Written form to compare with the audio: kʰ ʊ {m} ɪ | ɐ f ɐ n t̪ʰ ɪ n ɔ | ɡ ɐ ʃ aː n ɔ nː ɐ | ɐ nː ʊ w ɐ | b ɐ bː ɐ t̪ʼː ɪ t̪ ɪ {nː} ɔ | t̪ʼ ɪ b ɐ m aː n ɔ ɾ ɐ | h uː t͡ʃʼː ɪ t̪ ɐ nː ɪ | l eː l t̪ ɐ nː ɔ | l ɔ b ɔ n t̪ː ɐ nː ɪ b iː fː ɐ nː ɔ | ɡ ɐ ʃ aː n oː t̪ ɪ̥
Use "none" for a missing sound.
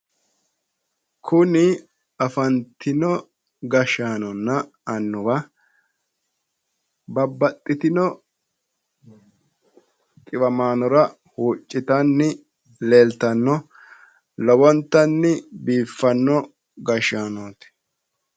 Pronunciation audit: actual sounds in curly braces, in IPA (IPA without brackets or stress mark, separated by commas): n, n